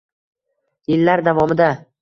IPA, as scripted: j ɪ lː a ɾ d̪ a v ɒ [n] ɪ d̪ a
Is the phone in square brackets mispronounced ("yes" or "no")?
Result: yes